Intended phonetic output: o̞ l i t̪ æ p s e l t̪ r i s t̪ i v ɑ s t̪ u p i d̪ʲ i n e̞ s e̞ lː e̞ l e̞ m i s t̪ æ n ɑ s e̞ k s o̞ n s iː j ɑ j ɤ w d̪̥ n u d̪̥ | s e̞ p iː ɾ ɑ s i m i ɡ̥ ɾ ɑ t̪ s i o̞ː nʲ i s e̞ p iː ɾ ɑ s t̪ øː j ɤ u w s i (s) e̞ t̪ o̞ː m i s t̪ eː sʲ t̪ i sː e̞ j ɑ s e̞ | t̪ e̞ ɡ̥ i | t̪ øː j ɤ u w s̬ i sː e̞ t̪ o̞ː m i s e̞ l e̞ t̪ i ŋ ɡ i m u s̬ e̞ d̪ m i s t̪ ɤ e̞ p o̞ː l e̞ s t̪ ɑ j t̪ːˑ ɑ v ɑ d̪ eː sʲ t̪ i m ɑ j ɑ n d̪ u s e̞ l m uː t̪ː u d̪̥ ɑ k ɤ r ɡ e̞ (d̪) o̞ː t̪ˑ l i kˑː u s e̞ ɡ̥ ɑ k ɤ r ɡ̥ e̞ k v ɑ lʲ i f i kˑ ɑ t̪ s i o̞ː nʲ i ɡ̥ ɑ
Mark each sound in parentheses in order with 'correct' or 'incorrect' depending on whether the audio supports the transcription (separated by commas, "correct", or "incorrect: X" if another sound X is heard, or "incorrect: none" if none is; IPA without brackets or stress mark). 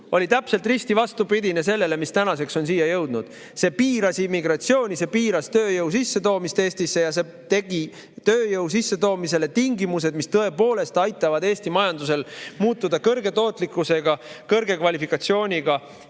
incorrect: sː, incorrect: t̪